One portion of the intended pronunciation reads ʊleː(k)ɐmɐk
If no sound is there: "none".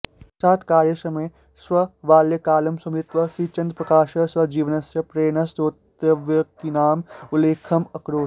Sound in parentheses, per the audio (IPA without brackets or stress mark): kʰ